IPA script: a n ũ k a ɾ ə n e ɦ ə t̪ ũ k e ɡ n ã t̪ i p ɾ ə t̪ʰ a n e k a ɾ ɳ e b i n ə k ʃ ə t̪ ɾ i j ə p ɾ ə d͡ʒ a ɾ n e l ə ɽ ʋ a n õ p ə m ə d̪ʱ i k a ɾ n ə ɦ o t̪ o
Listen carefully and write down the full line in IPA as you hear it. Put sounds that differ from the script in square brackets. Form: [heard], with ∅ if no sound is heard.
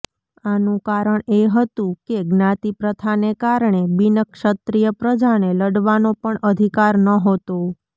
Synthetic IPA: a n ũ k a ɾ ə [ɳ] e ɦ ə t̪ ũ k e ɡ n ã t̪ i p ɾ ə t̪ʰ a n e k a ɾ ɳ e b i n ə k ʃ ə t̪ ɾ i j ə p ɾ ə d͡ʒ a [∅] n e l ə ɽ ʋ a n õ p ə [ɳ] ə d̪ʱ i k a ɾ n ə ɦ o t̪ o